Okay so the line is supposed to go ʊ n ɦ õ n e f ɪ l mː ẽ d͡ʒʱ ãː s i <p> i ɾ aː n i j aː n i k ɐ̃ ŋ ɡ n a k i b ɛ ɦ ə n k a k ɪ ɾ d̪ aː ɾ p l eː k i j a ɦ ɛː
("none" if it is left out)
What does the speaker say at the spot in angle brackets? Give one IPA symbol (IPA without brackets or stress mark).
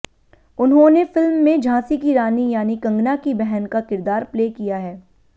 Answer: k